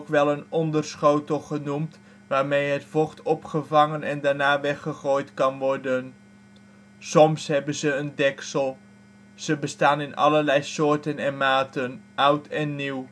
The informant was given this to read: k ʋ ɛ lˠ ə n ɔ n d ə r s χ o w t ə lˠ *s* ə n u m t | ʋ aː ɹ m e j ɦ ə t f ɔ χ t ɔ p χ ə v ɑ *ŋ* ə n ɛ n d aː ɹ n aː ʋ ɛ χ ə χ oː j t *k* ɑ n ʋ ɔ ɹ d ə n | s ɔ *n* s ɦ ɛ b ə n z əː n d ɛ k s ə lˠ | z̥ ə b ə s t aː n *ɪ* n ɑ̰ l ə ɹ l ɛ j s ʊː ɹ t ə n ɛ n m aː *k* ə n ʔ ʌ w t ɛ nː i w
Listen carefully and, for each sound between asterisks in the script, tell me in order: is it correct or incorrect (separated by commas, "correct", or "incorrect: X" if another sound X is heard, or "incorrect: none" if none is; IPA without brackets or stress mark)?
incorrect: χ, correct, correct, incorrect: m, correct, incorrect: t